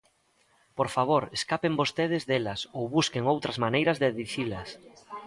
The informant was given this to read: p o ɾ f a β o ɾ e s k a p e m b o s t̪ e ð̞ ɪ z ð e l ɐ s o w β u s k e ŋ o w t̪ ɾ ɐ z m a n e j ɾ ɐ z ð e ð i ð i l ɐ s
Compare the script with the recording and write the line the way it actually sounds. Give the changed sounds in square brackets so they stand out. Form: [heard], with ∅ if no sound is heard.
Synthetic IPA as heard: p o ɾ f a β o ɾ e s k a p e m b o s t̪ e ð̞ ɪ z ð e l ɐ s o w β u s k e ŋ o w t̪ ɾ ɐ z m a n e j ɾ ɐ z ð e ð i [θ] i l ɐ s

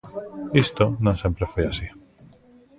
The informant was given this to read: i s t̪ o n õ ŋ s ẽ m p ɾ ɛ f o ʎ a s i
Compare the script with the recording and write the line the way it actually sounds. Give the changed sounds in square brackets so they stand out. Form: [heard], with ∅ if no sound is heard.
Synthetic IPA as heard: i s t̪ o n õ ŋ s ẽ m p ɾ [e] f o [j] a s i

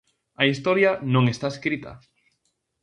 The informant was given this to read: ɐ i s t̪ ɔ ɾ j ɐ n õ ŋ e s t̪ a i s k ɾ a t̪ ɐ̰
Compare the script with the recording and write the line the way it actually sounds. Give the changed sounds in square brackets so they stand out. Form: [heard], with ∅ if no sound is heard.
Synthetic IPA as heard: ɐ i s t̪ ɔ ɾ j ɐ n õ ŋ e s t̪ a [e] s k ɾ [i] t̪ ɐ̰

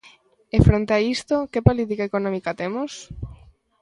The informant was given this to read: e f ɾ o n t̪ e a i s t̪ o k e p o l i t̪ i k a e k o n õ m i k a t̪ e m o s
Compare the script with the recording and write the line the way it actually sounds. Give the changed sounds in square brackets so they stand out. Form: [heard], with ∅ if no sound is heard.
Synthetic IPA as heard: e f ɾ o n t̪ e a i s t̪ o k e p o l i t̪ i k a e k o n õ m i k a t̪ e m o s

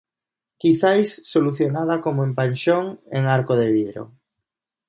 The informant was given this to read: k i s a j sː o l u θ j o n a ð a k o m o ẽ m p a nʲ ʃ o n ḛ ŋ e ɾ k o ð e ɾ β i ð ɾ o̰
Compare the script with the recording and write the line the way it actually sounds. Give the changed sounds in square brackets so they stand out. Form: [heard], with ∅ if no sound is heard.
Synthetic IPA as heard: k i [θ] a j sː o l u θ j o n a ð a k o m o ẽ m p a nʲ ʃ o [ŋ] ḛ ŋ [a] ɾ k o ð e [∅] β i ð ɾ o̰

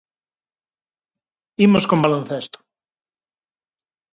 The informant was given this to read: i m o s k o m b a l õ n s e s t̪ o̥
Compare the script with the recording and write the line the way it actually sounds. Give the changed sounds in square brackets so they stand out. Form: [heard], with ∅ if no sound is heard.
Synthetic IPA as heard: i m o s k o m b a l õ n [θ] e s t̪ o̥

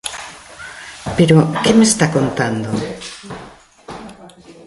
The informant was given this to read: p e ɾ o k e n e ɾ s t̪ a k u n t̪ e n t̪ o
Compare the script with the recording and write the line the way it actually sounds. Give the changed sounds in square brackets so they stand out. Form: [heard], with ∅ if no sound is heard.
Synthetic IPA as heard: p e ɾ o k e [m] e [∅] s t̪ a k [o] n t̪ [a] n [d̪] o

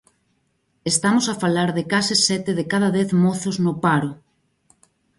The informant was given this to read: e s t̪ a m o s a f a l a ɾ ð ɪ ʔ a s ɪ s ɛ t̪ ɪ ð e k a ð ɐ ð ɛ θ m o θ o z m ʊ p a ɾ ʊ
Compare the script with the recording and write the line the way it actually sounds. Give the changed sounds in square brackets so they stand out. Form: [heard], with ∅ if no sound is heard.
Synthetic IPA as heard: e s t̪ a m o s a f a l a ɾ ð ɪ [k] a s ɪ s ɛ t̪ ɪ ð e k a ð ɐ ð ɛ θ m o θ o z [n] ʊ p a ɾ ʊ

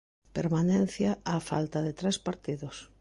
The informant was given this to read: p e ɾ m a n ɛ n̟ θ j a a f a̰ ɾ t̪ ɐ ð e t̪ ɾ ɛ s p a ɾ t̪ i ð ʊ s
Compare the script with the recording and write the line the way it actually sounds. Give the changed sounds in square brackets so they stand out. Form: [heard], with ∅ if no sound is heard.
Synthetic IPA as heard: p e ɾ m a n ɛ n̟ θ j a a f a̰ [l] t̪ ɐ ð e t̪ ɾ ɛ s p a ɾ t̪ i ð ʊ s

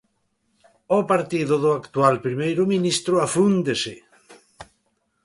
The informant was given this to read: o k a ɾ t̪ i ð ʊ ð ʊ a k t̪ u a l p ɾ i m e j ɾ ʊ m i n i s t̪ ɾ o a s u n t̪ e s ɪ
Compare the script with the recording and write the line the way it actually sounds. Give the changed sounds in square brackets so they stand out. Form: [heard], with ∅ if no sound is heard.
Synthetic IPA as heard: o [p] a ɾ t̪ i ð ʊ ð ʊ a k t̪ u a l p ɾ i m e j ɾ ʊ m i n i s t̪ ɾ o a [f] u n [d̪] e s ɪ

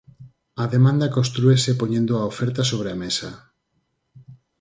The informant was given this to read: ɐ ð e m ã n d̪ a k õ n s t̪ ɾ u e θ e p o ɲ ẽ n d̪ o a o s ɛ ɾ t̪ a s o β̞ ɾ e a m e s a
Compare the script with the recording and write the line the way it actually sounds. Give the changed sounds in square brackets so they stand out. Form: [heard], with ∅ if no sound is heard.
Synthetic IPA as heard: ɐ ð e m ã n d̪ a k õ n s t̪ ɾ u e [s] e p o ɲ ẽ n d̪ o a o [f] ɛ ɾ t̪ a s o β̞ ɾ e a m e s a

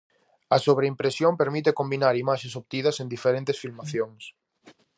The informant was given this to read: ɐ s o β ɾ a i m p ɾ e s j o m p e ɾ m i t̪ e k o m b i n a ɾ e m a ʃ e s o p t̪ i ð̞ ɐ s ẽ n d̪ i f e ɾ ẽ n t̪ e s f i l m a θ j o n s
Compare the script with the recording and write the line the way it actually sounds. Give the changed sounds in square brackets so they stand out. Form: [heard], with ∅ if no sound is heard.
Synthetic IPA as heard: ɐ s o β ɾ [e] i m p ɾ e s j o m p e ɾ m i t̪ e k o m b i n a ɾ [i] m a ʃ e s o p t̪ i ð̞ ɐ s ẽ n d̪ i f e ɾ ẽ n t̪ e s f i l m a θ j o [ŋ] s

